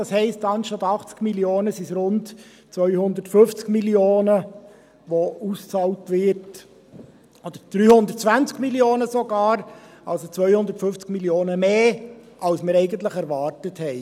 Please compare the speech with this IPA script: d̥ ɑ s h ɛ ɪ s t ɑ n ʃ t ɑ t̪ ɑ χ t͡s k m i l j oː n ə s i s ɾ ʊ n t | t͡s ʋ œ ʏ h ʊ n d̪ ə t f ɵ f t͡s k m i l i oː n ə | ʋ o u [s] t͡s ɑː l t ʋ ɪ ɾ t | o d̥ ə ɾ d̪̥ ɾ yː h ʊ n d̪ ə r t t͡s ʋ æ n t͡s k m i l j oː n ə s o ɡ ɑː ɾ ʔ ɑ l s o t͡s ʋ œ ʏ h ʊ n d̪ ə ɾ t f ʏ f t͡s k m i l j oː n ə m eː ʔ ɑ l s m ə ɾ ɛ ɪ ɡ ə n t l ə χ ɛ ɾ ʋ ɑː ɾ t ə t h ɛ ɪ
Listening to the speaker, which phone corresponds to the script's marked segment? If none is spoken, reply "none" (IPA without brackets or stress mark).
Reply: s